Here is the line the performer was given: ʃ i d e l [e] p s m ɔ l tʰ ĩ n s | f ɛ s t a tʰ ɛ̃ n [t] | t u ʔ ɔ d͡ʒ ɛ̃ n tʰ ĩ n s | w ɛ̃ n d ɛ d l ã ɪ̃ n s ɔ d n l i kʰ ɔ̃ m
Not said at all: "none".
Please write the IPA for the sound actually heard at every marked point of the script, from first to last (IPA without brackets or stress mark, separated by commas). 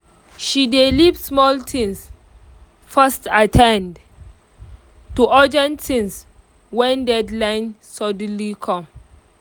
i, d